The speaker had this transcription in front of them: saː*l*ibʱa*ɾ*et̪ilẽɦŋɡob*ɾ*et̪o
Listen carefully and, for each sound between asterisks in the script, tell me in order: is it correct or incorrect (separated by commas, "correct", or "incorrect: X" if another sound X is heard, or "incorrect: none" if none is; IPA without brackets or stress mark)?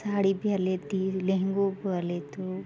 incorrect: ɽ, incorrect: l, incorrect: l